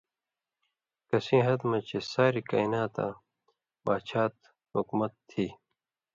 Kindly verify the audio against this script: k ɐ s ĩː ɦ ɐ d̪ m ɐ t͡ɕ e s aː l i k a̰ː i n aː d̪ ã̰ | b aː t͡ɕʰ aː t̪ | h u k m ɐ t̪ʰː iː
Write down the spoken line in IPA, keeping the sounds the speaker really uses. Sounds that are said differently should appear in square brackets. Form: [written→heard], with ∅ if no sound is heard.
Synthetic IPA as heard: k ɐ s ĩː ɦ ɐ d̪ m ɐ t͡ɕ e s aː [l→ɾ] i k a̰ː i n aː [d̪→t̪] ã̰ | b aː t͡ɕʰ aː t̪ | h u k m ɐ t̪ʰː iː

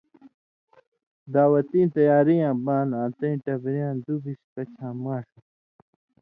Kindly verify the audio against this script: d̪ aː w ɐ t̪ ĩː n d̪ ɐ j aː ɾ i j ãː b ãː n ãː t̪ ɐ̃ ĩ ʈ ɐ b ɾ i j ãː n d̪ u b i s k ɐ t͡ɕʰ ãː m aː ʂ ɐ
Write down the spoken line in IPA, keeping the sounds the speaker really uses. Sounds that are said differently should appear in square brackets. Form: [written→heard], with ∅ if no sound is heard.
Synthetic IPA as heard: d̪ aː w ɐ t̪ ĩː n [d̪→t̪] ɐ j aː ɾ i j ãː b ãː n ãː t̪ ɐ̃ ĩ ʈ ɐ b ɾ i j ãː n d̪ u b i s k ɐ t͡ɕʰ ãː m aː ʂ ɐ

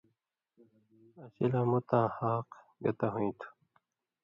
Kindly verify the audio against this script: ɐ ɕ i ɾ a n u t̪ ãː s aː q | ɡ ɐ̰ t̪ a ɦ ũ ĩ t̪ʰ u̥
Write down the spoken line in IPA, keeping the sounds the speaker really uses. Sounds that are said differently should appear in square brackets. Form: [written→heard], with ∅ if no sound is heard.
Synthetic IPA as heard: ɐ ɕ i [ɾ→l] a [n→m] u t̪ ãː [s→h] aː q | ɡ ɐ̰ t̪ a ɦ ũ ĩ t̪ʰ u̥

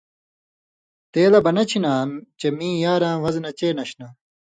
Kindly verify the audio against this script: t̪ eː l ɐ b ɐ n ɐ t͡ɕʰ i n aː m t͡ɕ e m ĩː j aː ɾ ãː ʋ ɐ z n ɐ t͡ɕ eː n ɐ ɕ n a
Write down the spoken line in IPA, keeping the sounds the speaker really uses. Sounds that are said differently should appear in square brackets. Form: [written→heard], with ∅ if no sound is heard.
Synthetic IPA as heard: t̪ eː l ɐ b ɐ n ɐ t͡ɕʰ i n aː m t͡ɕ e m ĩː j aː ɾ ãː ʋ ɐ z n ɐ t͡ɕ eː n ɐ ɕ n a

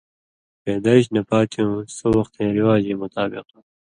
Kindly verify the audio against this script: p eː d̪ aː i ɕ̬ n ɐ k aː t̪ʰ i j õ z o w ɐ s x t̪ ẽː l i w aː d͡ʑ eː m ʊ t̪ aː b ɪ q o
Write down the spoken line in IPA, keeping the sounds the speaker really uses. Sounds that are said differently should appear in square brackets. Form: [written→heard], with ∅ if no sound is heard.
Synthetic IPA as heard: p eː d̪ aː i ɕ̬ n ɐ [k→p] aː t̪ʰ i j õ [z→s] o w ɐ [s→∅] x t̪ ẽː [l→ɾ] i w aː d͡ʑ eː m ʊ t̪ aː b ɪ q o

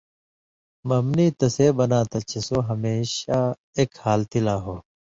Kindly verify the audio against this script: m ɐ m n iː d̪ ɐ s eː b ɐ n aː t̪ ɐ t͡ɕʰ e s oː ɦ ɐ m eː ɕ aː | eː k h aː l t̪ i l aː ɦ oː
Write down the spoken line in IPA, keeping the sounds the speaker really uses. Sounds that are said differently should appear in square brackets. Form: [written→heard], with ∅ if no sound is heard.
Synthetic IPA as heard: m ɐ m n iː [d̪→t̪] ɐ s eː b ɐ n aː t̪ ɐ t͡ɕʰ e s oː ɦ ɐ m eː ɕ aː | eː k h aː l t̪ i l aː ɦ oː

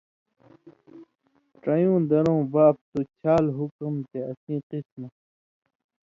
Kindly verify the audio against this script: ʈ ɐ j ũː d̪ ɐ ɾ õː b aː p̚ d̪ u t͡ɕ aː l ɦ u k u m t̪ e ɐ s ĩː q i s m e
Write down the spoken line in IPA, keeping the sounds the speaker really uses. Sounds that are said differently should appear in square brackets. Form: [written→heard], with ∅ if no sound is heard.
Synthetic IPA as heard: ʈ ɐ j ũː d̪ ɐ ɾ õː b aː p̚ [d̪→t̪] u [t͡ɕ→t͡ɕʰ] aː l ɦ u k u m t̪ e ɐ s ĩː q i s m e

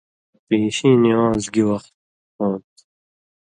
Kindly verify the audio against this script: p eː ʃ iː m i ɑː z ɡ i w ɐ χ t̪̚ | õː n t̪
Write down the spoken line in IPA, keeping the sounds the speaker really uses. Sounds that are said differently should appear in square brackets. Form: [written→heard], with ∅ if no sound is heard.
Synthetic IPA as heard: p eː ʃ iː [m→n] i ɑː z ɡ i w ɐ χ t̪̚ | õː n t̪

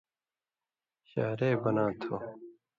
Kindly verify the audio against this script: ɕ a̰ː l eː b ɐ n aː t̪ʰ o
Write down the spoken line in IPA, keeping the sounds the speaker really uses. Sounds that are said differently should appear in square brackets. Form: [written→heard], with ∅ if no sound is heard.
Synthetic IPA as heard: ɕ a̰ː [l→ɾ] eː b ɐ n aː t̪ʰ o

